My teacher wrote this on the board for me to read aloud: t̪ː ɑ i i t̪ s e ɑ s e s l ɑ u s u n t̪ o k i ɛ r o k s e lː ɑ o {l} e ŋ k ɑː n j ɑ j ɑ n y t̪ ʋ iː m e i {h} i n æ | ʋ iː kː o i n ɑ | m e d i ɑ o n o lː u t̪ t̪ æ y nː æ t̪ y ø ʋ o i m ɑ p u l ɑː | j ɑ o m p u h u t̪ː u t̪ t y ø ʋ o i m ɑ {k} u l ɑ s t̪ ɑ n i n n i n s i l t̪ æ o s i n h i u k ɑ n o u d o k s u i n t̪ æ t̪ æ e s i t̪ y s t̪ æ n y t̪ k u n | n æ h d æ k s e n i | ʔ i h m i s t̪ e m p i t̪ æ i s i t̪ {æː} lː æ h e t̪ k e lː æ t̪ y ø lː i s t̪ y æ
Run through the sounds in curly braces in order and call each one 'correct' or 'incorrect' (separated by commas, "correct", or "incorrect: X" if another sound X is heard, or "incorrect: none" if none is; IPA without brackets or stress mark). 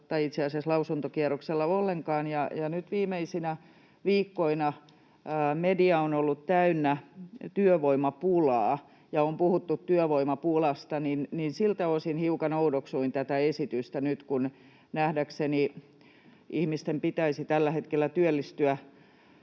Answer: incorrect: lː, incorrect: s, incorrect: p, incorrect: æ